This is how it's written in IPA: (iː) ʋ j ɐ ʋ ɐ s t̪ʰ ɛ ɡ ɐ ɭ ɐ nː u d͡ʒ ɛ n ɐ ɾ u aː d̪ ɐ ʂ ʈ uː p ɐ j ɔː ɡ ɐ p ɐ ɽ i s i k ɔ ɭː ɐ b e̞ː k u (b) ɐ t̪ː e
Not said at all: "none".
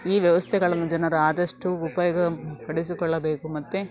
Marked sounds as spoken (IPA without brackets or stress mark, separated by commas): iː, m